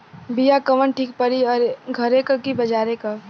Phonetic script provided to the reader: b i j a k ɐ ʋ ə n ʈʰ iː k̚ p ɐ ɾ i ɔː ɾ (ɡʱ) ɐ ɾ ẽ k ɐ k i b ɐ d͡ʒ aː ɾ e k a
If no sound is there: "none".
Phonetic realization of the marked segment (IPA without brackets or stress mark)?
ɡʱ